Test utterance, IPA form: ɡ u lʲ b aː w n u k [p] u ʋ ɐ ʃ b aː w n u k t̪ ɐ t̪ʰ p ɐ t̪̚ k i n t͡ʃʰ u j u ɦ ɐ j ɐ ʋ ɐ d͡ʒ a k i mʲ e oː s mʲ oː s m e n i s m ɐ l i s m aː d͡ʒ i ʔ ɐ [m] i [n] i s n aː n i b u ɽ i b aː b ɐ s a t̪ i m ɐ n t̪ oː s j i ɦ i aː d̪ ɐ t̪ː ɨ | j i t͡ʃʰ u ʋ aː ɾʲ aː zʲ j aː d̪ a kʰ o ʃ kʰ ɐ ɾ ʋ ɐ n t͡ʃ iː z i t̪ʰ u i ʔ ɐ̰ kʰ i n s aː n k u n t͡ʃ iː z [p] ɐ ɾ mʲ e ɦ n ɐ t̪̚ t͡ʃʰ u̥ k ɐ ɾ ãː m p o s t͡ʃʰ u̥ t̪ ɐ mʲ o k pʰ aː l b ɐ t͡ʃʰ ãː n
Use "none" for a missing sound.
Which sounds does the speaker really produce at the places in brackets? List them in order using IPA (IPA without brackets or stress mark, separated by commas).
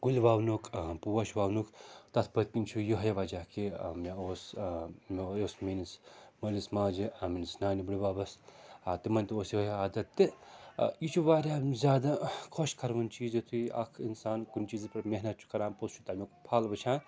p, m, n, p